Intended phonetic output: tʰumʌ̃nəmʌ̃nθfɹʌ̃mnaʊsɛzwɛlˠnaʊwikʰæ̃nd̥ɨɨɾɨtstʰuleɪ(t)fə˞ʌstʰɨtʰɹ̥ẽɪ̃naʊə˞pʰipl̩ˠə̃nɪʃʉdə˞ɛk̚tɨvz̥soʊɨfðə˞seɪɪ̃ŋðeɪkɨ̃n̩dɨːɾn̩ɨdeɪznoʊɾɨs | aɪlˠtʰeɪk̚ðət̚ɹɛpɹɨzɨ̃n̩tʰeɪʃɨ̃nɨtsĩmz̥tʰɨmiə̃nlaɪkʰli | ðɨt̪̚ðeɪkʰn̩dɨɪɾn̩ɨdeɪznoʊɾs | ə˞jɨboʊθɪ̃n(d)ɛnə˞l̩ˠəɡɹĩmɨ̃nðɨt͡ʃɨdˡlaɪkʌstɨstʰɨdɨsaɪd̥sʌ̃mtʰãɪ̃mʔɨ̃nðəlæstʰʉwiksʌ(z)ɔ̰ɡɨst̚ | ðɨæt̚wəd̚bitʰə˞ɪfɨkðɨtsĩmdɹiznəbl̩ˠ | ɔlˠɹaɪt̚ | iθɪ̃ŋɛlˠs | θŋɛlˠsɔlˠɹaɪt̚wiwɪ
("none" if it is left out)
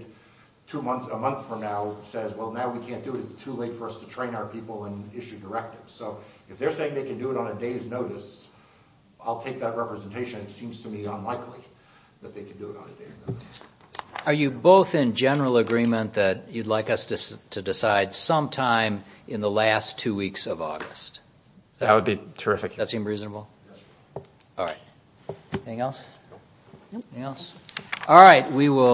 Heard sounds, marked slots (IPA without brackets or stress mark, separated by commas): t, d͡ʒ, v